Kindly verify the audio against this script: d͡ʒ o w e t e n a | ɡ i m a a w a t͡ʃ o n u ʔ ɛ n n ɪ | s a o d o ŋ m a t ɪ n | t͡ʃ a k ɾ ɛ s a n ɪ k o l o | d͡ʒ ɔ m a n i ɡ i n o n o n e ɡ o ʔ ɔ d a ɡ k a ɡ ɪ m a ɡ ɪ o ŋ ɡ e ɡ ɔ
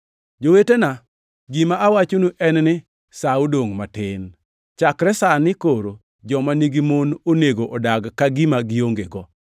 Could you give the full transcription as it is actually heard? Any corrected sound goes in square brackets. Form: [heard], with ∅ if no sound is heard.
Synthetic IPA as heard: d͡ʒ o w e t e n a | ɡ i m a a w a t͡ʃ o n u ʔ ɛ n n ɪ | s a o d o ŋ m a t ɪ n | t͡ʃ a k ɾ ɛ s a n ɪ k o [ɾ] o | d͡ʒ ɔ m a n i ɡ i [m] o n o n e ɡ o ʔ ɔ d a ɡ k a ɡ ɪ m a ɡ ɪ o ŋ ɡ e ɡ ɔ

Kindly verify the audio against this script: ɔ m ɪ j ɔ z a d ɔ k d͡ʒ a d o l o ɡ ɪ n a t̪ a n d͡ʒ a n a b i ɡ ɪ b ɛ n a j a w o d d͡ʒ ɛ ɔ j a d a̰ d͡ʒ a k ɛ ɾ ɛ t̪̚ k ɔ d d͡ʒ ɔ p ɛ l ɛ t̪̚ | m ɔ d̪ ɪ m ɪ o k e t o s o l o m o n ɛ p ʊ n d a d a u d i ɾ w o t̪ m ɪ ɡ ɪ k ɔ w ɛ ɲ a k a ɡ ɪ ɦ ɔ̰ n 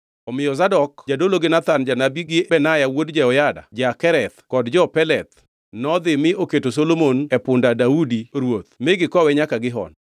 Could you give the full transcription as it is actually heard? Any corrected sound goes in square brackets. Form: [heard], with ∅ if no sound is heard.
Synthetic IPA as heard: ɔ m ɪ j ɔ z a d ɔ k d͡ʒ a d o l o ɡ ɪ n a t̪ a n d͡ʒ a n a b i ɡ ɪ b ɛ n a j a w o d d͡ʒ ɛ ɔ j a d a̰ d͡ʒ a k ɛ ɾ ɛ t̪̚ k ɔ d d͡ʒ ɔ p ɛ l ɛ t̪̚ | [n] ɔ d̪ ɪ m ɪ o k e t o s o l o m o n ɛ p ʊ n d a d a u d i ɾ w o t̪ m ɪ ɡ ɪ k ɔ w ɛ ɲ a k a ɡ ɪ ɦ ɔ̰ n

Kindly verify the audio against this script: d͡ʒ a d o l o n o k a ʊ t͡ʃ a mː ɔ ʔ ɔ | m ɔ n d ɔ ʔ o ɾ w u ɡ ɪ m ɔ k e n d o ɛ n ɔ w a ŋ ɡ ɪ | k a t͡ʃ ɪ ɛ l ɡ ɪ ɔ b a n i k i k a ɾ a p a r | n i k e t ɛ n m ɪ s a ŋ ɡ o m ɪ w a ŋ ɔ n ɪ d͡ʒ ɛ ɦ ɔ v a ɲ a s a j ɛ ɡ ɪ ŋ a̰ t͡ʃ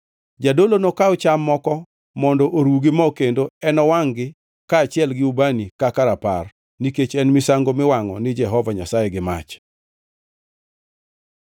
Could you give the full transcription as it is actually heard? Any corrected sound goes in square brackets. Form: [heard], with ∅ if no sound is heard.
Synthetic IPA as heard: d͡ʒ a d o l o n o k a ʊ t͡ʃ a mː ɔ [k] ɔ | m ɔ n d ɔ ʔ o ɾ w u ɡ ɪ m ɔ k e n d o ɛ n ɔ w a ŋ ɡ ɪ | k a t͡ʃ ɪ ɛ l ɡ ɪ [u] b a n i k [a] k a ɾ a p a r | n i k e [t͡ʃ] ɛ n m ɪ s a ŋ ɡ o m ɪ w a ŋ ɔ n ɪ d͡ʒ ɛ ɦ ɔ v a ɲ a s a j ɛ ɡ ɪ [m] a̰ t͡ʃ

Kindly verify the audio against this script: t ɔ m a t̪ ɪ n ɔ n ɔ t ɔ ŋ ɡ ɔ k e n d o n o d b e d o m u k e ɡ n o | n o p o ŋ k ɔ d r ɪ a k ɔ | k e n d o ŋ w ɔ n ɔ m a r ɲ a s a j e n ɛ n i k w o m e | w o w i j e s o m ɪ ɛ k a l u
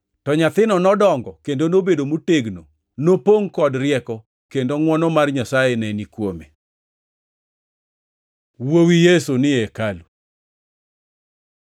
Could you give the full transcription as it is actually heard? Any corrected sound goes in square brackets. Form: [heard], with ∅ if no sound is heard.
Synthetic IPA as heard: t ɔ [ɲ] a t̪ ɪ n ɔ n ɔ [d] ɔ ŋ ɡ ɔ k e n d o n o [∅] b e d o m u [t] e ɡ n o | n o p o ŋ k ɔ d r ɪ [ɛ] k ɔ | k e n d o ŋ w ɔ n ɔ m a r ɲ a s a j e n ɛ n i k w o m e | w o w i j e s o [n] ɪ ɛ k a l u

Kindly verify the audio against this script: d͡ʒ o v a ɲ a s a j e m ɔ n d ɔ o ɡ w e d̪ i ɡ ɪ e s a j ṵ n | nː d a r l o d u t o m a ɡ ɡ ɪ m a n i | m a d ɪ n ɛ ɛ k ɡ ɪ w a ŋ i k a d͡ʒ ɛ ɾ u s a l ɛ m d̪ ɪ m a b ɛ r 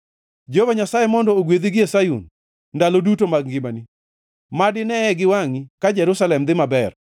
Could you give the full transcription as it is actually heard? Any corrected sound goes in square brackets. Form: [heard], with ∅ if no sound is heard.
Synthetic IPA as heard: d͡ʒ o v a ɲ a s a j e m ɔ n d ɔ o ɡ w e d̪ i ɡ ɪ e s a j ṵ n | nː d a [∅] l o d u t o m a ɡ ɡ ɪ m a n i | m a d ɪ n ɛ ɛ [∅] ɡ ɪ w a ŋ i k a d͡ʒ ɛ ɾ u s a l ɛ m d̪ ɪ m a b ɛ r

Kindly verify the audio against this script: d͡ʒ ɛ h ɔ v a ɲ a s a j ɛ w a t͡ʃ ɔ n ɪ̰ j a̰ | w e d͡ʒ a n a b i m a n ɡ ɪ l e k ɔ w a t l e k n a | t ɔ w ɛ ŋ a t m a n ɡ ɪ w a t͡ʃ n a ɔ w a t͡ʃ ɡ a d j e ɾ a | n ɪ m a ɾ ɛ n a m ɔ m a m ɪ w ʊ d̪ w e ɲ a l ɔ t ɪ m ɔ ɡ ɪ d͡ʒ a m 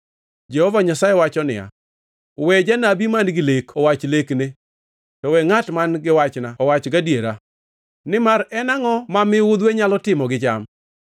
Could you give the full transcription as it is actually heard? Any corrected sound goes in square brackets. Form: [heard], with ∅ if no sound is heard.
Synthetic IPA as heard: d͡ʒ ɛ h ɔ v a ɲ a s a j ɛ w a t͡ʃ ɔ n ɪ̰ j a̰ | w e d͡ʒ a n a b i m a n ɡ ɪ l e k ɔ w a [t͡ʃ] l e k n [e] | t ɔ w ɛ ŋ a t m a n ɡ ɪ w a t͡ʃ n a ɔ w a t͡ʃ ɡ a d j e ɾ a | n ɪ m a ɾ ɛ n a [ŋ] ɔ m a m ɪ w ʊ d̪ w e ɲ a l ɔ t ɪ m ɔ ɡ ɪ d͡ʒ a m

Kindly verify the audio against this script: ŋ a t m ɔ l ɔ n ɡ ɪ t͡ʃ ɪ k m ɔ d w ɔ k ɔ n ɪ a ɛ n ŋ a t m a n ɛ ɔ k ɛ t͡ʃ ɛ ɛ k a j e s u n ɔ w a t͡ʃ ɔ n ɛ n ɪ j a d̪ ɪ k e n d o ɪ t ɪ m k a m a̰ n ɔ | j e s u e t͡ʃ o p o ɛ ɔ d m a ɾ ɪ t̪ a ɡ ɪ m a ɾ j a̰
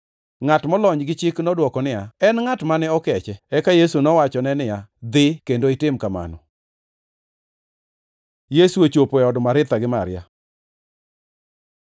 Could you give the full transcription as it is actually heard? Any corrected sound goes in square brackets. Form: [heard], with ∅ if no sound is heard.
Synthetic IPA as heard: ŋ a t m ɔ l ɔ [ɲ] ɡ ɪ t͡ʃ ɪ k [n] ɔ d w ɔ k ɔ n ɪ a ɛ n ŋ a t m a n ɛ ɔ k ɛ t͡ʃ ɛ ɛ k a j e s u n ɔ w a t͡ʃ ɔ n ɛ n ɪ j a d̪ ɪ k e n d o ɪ t ɪ m k a m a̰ n ɔ | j e s u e t͡ʃ o p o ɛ ɔ d m a ɾ ɪ t̪ a ɡ ɪ m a ɾ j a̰

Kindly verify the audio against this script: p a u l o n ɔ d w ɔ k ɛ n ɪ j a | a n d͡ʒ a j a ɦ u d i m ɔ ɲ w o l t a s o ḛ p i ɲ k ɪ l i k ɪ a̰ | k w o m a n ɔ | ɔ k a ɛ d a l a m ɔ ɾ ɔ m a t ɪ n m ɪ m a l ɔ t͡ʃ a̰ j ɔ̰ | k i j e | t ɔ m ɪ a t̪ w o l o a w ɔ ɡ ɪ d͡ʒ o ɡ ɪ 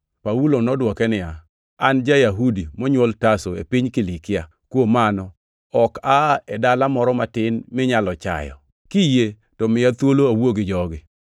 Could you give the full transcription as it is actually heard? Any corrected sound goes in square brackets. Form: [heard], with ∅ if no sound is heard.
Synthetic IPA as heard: p a u l o n ɔ d w ɔ k ɛ n ɪ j a | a n d͡ʒ a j a ɦ u d i m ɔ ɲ w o l t a s o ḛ p i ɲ k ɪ l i k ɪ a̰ | k w o m a n ɔ | ɔ k a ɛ d a l a m ɔ ɾ ɔ m a t ɪ n m ɪ [ɲ] a l ɔ t͡ʃ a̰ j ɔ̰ | k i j e | t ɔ m ɪ a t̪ w o l o a w [o] ɡ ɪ d͡ʒ [ɔ] ɡ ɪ

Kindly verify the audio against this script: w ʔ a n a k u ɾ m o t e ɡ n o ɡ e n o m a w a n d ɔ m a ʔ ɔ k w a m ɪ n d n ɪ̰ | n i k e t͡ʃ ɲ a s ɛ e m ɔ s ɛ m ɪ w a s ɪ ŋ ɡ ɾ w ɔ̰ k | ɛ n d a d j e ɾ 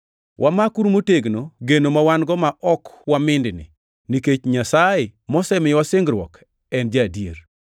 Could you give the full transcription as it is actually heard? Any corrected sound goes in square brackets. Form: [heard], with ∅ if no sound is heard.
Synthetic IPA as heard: w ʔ a [m] a k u ɾ m o t e ɡ n o ɡ e n o m a w a n [ɡ] ɔ m a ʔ ɔ k w a m ɪ n d n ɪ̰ | n i k e t͡ʃ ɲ a s [a] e m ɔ s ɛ m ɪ w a s ɪ ŋ ɡ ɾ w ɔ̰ k | ɛ n [d͡ʒ] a d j e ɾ

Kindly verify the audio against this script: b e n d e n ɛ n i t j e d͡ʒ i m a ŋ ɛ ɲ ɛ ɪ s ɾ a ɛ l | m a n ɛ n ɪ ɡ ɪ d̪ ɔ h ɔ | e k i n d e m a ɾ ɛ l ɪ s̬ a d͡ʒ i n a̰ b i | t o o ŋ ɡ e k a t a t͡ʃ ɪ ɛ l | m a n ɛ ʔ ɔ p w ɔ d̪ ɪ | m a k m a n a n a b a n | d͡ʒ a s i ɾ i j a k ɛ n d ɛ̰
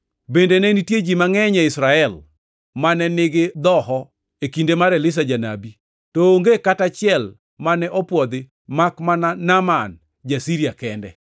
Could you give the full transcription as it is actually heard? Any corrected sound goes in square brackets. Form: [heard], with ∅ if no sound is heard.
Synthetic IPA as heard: b e n d e n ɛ n i t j e d͡ʒ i m a ŋ ɛ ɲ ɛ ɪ s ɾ a ɛ l | m a n ɛ n ɪ ɡ ɪ d̪ ɔ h ɔ | e k i n d e m a ɾ ɛ l ɪ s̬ a d͡ʒ [a] n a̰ b i | t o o ŋ ɡ e k a t a t͡ʃ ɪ ɛ l | m a n ɛ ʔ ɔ p w ɔ d̪ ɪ | m a k m a n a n a [m] a n | d͡ʒ a s i ɾ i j a k ɛ n d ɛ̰

